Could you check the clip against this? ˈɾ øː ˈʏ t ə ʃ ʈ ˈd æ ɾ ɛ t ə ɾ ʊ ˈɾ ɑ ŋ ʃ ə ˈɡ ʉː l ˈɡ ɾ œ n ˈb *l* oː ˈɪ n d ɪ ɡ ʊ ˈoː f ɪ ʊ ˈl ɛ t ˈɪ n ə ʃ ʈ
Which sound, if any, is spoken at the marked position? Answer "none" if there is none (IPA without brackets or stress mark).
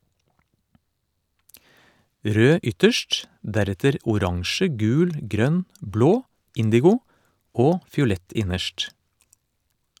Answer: l